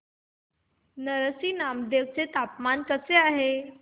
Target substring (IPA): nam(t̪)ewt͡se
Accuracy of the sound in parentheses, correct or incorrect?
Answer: incorrect